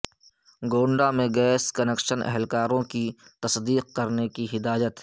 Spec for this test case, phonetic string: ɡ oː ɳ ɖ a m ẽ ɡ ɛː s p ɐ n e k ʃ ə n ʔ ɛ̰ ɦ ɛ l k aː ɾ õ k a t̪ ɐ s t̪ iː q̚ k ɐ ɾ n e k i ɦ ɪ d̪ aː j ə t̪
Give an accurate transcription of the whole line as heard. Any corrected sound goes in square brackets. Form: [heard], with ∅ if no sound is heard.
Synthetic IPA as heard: ɡ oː ɳ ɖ a m ẽ ɡ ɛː s [k] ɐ n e k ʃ ə n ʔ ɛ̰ ɦ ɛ l k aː ɾ õ k [i] t̪ ɐ s [d̪] iː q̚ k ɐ ɾ n e k i ɦ ɪ d̪ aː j ə t̪

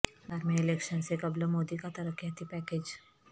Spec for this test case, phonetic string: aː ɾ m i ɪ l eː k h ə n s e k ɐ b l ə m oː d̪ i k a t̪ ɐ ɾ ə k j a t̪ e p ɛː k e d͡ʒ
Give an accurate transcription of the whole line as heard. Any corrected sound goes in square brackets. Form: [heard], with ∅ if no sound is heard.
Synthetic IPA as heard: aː ɾ m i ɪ l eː k [ʃ] ə n s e k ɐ b l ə m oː d̪ i k a t̪ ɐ ɾ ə k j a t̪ [i] p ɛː k e d͡ʒ

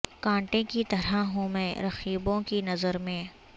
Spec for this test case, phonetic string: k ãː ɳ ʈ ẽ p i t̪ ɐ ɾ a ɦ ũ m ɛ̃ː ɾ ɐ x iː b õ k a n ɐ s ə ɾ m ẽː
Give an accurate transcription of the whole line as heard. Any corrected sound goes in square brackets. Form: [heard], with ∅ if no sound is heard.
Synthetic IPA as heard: k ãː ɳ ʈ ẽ [k] i t̪ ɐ ɾ a ɦ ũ m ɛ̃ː ɾ ɐ x iː b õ k [i] n ɐ [z] ə ɾ m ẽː

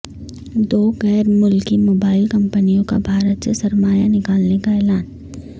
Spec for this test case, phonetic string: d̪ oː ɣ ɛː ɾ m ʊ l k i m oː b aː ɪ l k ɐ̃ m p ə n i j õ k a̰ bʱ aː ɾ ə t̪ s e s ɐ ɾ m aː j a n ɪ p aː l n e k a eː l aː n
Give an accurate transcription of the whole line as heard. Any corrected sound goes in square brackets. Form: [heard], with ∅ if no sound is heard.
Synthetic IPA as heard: d̪ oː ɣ ɛː ɾ m ʊ l k i m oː b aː ɪ l k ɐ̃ m p ə n i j õ k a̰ bʱ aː ɾ ə t̪ s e s ɐ ɾ m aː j a n ɪ [k] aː l n e k a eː l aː n

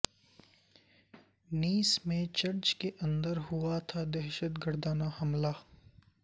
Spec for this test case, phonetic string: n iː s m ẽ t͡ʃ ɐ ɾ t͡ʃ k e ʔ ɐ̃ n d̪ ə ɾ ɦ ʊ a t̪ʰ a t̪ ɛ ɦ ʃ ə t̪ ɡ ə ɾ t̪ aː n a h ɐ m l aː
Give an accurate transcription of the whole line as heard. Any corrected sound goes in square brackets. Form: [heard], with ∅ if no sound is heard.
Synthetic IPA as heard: n iː s m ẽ t͡ʃ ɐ ɾ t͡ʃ k e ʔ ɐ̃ n d̪ ə ɾ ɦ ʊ a t̪ʰ a [d̪] ɛ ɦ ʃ ə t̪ ɡ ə ɾ [d̪] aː n a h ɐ m l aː

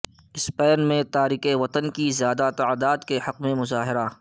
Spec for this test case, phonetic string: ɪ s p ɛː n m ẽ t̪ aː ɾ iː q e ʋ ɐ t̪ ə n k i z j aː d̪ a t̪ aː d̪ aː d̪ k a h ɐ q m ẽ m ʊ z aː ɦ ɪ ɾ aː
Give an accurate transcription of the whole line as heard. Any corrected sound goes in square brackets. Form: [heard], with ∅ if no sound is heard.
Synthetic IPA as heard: ɪ s p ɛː n m ẽ t̪ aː ɾ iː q e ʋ ɐ t̪ ə n k i z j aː d̪ a t̪ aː d̪ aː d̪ k [e] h ɐ q m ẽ m ʊ z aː ɦ ɪ ɾ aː

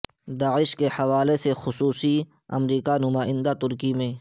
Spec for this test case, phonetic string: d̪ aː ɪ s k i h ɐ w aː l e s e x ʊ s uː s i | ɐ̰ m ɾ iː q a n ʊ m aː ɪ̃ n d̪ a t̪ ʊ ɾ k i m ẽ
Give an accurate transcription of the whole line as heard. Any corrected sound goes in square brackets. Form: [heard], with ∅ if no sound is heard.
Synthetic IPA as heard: d̪ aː ɪ [ʃ] k [e] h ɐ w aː l e s e x ʊ s uː s i | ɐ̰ m ɾ iː [k] a n ʊ m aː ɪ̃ n d̪ a t̪ ʊ ɾ k i m ẽ

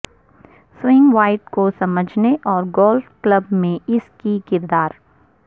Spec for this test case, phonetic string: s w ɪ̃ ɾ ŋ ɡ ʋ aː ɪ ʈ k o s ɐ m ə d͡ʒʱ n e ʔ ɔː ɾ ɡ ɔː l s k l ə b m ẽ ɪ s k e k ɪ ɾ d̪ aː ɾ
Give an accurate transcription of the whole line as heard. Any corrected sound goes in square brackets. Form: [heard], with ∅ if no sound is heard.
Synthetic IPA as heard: s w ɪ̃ [∅] ŋ ɡ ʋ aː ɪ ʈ k o s ɐ m ə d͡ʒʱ n e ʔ ɔː ɾ ɡ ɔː l [f] k l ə b m ẽ ɪ s k [i] k ɪ ɾ d̪ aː ɾ

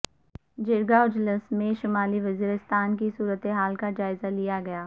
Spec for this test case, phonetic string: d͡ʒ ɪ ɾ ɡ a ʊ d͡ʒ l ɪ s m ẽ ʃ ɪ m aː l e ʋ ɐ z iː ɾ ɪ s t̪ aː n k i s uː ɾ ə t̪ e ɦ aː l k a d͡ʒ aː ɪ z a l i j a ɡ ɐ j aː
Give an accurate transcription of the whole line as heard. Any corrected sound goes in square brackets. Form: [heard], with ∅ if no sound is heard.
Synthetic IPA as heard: d͡ʒ ɪ ɾ ɡ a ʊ d͡ʒ l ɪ s m ẽ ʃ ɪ m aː l [i] ʋ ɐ z iː ɾ ɪ s t̪ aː n k i s uː ɾ ə t̪ e ɦ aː l k a d͡ʒ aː ɪ z a l i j a ɡ ɐ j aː

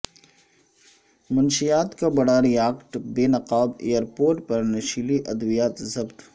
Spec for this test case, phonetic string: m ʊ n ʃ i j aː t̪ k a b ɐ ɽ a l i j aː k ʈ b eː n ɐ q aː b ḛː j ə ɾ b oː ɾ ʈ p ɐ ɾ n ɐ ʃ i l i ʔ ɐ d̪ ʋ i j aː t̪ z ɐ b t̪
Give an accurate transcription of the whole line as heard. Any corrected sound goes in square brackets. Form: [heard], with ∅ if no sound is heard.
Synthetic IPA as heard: m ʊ n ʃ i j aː t̪ k a b ɐ ɽ a [ɾ] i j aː k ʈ b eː n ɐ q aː b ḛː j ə ɾ [p] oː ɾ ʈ p ɐ ɾ n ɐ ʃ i l i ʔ ɐ d̪ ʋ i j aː t̪ z ɐ b t̪

